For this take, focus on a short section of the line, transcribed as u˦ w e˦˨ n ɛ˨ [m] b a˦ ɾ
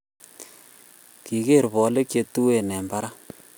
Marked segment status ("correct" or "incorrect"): correct